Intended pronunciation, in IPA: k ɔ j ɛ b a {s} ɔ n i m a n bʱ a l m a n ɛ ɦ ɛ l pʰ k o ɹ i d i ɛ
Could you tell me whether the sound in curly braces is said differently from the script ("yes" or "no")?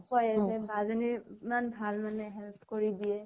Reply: yes